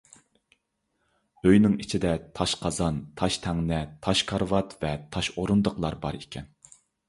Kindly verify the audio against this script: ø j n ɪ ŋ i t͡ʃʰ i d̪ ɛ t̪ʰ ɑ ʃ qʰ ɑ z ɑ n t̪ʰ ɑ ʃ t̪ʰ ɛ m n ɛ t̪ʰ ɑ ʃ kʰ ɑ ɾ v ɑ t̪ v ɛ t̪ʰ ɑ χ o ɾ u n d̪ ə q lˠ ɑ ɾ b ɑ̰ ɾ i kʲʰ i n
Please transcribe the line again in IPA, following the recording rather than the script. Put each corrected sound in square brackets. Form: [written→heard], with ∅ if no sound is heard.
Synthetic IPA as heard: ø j n ɪ ŋ i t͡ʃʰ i d̪ ɛ t̪ʰ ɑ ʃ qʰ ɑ z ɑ n t̪ʰ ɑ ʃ t̪ʰ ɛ [m→ŋ] n ɛ t̪ʰ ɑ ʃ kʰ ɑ ɾ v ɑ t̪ v ɛ t̪ʰ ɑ [χ→ʃ] o ɾ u n d̪ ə q lˠ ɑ ɾ b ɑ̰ ɾ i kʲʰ [i→ɛ] n

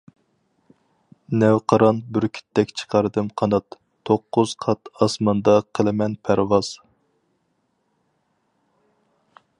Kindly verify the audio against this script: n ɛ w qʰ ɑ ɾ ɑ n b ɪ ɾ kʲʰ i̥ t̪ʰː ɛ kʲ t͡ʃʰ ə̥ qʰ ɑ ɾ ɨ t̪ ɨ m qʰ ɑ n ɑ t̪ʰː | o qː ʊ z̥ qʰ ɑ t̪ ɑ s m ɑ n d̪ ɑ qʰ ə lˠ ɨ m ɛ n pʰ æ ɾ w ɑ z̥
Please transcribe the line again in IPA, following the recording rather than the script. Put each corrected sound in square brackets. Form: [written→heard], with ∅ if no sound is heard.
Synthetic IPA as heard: n ɛ w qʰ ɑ ɾ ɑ n b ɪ ɾ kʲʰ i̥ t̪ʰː ɛ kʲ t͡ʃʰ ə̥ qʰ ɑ ɾ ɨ [t̪→d̪] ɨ m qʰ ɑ n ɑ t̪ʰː | o qː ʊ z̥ qʰ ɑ t̪ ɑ s m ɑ n d̪ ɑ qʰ ə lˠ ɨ m ɛ n pʰ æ ɾ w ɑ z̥

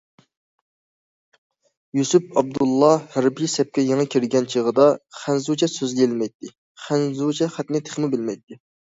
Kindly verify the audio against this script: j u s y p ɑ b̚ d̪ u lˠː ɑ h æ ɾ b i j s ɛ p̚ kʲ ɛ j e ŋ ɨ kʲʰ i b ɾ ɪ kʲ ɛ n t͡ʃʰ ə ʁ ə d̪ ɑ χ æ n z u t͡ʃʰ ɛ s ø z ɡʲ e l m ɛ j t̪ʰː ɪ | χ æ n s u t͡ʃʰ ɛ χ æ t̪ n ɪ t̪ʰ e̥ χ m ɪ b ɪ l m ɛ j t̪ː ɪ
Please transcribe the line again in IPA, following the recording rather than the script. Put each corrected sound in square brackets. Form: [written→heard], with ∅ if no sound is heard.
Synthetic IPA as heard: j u s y p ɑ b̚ d̪ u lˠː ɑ h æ ɾ b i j s ɛ p̚ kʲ ɛ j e ŋ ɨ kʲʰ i [b→∅] ɾ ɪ [kʲ→ɡʲ] ɛ n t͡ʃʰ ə ʁ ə d̪ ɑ χ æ n z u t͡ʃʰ ɛ s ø z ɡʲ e l m ɛ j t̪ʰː ɪ | χ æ n [s→z] u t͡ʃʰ ɛ χ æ t̪ n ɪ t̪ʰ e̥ χ m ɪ b ɪ l m ɛ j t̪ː ɪ

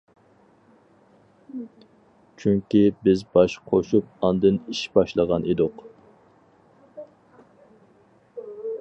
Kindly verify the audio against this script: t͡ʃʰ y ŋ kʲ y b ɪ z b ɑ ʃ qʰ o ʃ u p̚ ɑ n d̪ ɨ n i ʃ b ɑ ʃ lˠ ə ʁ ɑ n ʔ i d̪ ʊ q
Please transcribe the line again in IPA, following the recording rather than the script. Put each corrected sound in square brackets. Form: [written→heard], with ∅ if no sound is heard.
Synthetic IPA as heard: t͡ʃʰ y ŋ kʲ [y→i] b ɪ z b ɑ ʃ qʰ o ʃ u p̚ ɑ n d̪ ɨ n i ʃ b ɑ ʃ lˠ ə ʁ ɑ n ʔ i d̪ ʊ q

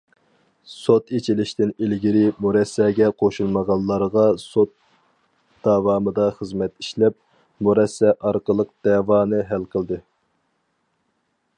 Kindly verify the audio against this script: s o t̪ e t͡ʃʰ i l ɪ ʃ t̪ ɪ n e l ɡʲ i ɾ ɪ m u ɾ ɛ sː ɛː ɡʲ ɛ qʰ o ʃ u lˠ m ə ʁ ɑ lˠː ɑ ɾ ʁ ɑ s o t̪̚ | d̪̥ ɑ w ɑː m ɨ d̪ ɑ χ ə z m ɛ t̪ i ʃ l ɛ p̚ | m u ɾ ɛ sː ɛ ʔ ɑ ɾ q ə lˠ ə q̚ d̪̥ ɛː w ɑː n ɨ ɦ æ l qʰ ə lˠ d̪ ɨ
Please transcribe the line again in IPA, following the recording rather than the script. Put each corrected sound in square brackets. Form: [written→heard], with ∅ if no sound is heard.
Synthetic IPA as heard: s o t̪ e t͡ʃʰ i l ɪ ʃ t̪ ɪ n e l ɡʲ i ɾ ɪ m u ɾ ɛ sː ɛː ɡʲ ɛ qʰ o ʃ u lˠ m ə ʁ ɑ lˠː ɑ ɾ ʁ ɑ s o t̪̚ | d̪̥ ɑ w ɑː m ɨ d̪ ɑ χ ə z m ɛ t̪ i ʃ l ɛ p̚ | m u ɾ ɛ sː ɛ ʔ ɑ ɾ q ə lˠ ə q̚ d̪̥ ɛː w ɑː n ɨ ɦ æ l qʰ ə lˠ d̪ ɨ

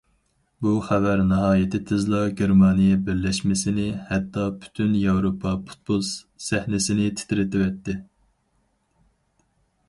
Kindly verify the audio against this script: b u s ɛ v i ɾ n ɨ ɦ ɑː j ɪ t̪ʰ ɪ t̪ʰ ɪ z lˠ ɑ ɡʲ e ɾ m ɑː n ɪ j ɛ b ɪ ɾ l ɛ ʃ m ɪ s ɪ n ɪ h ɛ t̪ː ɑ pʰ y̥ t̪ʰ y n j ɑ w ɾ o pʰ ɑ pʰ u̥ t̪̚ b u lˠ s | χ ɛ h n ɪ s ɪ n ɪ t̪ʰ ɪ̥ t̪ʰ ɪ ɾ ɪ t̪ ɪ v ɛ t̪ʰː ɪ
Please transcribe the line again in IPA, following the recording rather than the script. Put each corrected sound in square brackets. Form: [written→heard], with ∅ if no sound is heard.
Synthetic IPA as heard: b u [s→χ] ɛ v [i→æ] ɾ n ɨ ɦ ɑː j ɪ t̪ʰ ɪ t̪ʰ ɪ z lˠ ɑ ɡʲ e ɾ m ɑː n [ɪ→i] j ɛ b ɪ ɾ l ɛ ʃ m ɪ s ɪ n ɪ h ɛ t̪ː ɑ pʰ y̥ t̪ʰ y n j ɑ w ɾ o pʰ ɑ pʰ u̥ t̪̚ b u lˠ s | [χ→s] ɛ h n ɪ s ɪ n ɪ t̪ʰ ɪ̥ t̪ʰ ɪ ɾ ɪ t̪ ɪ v ɛ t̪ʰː ɪ

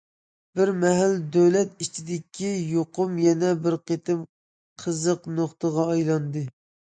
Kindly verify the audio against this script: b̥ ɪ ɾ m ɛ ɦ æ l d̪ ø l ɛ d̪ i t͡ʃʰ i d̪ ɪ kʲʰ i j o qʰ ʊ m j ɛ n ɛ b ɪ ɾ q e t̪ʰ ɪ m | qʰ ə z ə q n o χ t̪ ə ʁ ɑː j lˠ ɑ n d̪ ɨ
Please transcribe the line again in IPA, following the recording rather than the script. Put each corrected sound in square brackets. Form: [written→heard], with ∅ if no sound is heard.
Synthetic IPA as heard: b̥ ɪ ɾ m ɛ ɦ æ l d̪ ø l ɛ [d̪→t̪] i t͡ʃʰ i d̪ ɪ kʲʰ i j o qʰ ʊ m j ɛ n ɛ b ɪ ɾ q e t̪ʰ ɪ m | qʰ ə z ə q n o χ t̪ ə ʁ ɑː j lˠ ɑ n d̪ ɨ

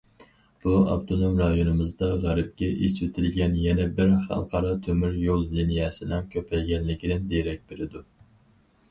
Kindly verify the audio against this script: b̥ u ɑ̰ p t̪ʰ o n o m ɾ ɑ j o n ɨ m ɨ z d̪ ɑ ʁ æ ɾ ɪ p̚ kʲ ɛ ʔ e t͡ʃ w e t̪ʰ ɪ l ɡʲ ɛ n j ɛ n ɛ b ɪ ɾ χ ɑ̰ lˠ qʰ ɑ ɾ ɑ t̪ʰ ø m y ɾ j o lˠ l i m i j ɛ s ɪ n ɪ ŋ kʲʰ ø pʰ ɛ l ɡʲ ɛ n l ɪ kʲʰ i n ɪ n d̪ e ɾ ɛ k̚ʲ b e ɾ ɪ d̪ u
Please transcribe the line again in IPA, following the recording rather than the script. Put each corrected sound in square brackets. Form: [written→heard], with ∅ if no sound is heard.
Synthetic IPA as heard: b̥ u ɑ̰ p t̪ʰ o n o m ɾ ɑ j o n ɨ m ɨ z d̪ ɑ ʁ æ ɾ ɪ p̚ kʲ ɛ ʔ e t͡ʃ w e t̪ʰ ɪ l ɡʲ ɛ n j ɛ n ɛ b ɪ ɾ χ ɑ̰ lˠ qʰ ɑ ɾ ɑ t̪ʰ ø m y ɾ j o lˠ l i [m→n] i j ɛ s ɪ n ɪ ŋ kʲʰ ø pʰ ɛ l ɡʲ ɛ n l ɪ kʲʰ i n ɪ n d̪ e ɾ ɛ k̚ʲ b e ɾ ɪ d̪ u

